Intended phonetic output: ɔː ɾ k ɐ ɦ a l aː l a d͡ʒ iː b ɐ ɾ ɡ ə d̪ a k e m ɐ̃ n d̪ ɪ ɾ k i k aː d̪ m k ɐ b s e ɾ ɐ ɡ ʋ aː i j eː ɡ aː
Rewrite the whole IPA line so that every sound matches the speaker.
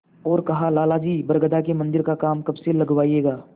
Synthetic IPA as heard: ɔː ɾ k ɐ ɦ a l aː l a d͡ʒ iː b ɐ ɾ ɡ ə d̪ a k e m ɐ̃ n d̪ ɪ ɾ k a k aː m k ɐ b s e l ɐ ɡ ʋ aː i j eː ɡ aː

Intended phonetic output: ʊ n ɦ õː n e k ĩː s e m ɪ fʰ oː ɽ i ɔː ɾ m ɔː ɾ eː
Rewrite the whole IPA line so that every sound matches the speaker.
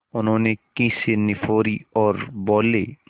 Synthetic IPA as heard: ʊ n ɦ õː n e k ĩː s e n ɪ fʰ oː ɾ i ɔː ɾ b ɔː l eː

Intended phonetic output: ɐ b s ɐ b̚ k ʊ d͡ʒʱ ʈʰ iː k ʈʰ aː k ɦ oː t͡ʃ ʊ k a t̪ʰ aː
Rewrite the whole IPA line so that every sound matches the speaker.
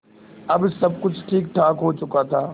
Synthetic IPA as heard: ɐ b s ɐ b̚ k ʊ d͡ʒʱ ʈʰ iː k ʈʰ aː k ɦ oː t͡ʃ ʊ k a t̪ʰ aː

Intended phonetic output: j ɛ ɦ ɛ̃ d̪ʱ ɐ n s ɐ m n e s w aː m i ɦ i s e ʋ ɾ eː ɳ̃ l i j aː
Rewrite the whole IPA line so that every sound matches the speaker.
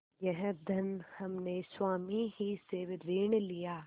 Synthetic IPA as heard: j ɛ ɦ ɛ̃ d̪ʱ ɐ n h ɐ m n e s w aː m i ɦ i s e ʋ ɾ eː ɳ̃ l i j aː

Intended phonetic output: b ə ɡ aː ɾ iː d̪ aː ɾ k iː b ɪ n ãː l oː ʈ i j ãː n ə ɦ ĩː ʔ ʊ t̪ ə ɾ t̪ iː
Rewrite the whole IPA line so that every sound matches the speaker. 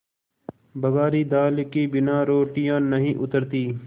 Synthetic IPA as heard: b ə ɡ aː ɾ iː d̪ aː l k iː b ɪ n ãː ɾ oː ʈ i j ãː n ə ɦ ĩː ʔ ʊ t̪ ə ɾ t̪ iː

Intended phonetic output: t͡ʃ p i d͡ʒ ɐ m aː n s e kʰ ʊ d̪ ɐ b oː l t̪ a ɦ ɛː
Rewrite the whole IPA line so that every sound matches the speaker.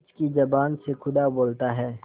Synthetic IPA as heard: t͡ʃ k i d͡ʒ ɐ b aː n s e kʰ ʊ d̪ a b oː l t̪ a ɦ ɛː

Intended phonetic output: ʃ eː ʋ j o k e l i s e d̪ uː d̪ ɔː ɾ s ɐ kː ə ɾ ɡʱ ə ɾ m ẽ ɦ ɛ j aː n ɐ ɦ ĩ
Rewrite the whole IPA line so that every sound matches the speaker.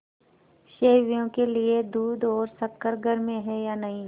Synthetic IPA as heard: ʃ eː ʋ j õ k e l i e d̪ uː d̪ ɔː ɾ s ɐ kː ə ɾ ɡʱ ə ɾ m ẽ ɦ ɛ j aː n ɐ ɦ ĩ

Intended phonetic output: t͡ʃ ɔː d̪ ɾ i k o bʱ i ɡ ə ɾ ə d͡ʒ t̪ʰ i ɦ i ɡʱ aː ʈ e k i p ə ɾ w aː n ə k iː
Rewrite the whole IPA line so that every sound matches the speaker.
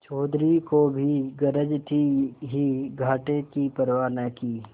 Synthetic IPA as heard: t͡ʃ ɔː d̪ ɾ i k o bʱ i ɡ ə ɾ ə d͡ʒ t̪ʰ i ɦ i ɡʱ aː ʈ e k i p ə ɾ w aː n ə k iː

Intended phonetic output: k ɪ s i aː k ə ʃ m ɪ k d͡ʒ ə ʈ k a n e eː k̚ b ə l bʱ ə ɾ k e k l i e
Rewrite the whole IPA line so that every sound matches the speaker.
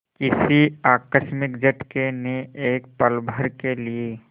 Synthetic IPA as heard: k ɪ s i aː k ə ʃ m ɪ k d͡ʒ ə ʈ k e n e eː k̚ p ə l bʱ ə ɾ k e l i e

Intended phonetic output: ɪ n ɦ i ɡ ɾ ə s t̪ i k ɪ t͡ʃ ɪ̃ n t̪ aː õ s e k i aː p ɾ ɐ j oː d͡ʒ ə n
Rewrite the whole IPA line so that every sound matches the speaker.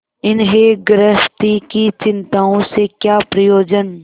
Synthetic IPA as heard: ɪ n ɦ e ɡ ɾ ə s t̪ i k i t͡ʃ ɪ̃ n t̪ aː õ s e k j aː p ɾ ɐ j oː d͡ʒ ə n

